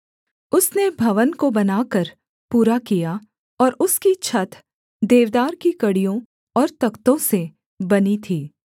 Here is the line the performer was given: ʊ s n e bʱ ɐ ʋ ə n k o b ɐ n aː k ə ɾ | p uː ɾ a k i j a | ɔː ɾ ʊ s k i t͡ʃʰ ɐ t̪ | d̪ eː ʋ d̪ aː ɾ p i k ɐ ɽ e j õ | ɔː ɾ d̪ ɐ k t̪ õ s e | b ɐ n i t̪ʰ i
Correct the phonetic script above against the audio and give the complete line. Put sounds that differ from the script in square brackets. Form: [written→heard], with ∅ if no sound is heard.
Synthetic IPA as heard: ʊ s n e bʱ ɐ ʋ ə n k o b ɐ n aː k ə ɾ | p uː ɾ a k i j a | ɔː ɾ ʊ s k i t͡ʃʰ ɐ t̪ | d̪ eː ʋ d̪ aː ɾ [p→k] i k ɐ ɽ [e→i] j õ | ɔː ɾ [d̪→t̪] ɐ k t̪ õ s e | b ɐ n i t̪ʰ [i→iː]